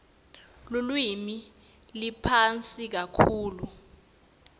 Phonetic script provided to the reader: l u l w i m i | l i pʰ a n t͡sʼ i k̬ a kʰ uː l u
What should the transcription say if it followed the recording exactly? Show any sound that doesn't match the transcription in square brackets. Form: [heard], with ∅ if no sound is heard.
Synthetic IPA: l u l w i m i | l i pʰ a n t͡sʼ i k̬ a kʰ uː l u